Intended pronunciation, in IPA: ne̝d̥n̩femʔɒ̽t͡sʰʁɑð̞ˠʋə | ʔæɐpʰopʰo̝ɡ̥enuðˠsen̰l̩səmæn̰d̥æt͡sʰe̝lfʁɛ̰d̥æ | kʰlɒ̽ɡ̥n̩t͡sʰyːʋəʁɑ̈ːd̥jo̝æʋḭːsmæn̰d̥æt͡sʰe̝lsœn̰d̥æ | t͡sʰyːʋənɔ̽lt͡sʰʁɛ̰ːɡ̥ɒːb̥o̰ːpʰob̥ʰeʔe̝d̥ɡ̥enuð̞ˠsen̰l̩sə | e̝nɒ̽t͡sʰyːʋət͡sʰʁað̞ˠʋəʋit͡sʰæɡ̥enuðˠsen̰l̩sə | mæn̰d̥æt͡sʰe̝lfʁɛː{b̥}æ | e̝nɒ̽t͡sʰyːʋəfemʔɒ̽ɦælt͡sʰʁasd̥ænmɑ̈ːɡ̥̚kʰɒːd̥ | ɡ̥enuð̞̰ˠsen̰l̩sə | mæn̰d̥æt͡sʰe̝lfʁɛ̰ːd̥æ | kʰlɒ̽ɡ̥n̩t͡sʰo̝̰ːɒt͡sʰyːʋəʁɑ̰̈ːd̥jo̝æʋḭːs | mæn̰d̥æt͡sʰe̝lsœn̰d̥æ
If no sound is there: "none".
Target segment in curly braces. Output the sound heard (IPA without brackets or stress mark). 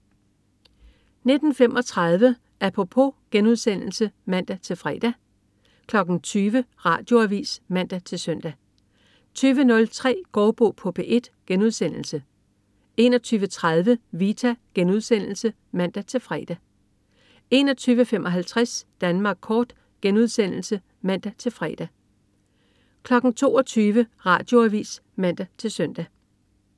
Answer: d̥